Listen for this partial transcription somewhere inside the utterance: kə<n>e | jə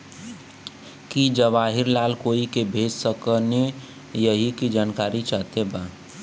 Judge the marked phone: correct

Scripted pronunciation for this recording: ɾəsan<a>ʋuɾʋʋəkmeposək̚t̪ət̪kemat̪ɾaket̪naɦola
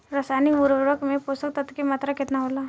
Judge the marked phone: incorrect: i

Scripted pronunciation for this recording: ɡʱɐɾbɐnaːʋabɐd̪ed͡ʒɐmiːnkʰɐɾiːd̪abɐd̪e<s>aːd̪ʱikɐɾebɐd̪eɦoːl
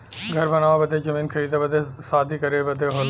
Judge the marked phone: correct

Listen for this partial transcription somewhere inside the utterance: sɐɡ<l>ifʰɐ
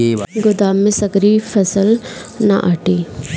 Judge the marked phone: incorrect: ɾ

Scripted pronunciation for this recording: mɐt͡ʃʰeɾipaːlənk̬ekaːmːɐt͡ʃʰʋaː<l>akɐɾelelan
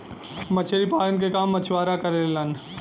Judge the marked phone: incorrect: ɾ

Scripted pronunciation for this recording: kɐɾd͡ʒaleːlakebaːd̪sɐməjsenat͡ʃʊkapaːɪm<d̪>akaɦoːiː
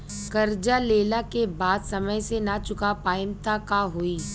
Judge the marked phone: incorrect: t̪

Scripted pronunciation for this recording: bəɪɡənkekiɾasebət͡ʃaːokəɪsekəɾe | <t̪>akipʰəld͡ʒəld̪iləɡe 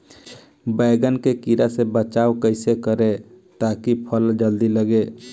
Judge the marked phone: correct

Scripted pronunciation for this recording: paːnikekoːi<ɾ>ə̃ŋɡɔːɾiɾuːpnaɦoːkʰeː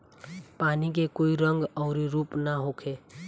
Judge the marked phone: correct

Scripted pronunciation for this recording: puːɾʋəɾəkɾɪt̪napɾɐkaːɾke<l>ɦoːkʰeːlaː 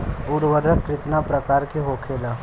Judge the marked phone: incorrect: none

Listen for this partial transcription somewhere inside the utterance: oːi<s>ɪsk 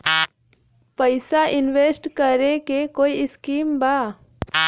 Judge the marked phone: incorrect: none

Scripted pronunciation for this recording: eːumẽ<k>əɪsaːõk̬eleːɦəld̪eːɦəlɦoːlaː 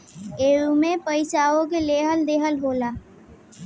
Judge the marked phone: incorrect: p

